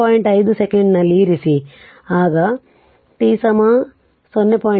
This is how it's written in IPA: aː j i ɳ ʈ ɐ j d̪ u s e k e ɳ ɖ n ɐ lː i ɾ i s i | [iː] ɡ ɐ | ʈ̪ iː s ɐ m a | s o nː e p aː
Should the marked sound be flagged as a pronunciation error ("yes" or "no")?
yes